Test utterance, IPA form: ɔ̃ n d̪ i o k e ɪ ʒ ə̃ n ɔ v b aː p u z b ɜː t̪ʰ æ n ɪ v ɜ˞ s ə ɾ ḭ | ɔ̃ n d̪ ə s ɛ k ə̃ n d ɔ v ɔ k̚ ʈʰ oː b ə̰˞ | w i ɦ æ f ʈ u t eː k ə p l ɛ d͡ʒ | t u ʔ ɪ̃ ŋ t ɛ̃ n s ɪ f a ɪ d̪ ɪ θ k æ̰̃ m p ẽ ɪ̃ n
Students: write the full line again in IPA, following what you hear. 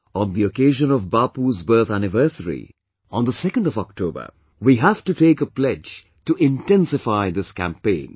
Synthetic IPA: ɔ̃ n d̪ i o k e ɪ ʒ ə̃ n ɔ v b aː p u z b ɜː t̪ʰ æ n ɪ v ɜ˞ s ə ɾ ḭ | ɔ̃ n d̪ ə s ɛ k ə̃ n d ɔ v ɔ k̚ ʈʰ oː b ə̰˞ | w i ɦ æ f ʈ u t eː k ə p l ɛ d͡ʒ | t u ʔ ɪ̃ n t ɛ̃ n s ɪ f a ɪ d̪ ɪ s k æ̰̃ m p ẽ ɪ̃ n

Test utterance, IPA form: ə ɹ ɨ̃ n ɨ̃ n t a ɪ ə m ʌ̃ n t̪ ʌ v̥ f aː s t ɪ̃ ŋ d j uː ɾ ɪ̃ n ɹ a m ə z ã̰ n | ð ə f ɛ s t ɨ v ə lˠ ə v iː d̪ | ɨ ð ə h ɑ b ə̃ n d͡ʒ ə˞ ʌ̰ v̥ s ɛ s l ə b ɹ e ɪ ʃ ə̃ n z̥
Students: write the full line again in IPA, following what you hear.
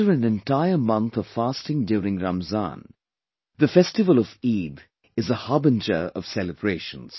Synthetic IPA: ə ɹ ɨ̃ n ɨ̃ n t a ɪ ə m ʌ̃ n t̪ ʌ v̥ f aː s t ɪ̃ ŋ d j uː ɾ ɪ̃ ŋ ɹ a m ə z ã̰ n | ð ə f ɛ s t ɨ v ə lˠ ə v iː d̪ | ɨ z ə h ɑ b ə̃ n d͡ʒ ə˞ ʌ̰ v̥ s ɛ l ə b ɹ e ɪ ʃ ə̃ n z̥

